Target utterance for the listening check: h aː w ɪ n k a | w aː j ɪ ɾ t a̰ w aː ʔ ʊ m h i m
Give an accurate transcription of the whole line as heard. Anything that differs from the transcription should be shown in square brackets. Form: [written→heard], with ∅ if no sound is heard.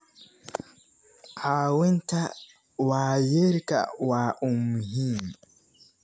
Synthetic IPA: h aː w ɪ n [k→t] a | w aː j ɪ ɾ [t→k] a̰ w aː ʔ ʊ m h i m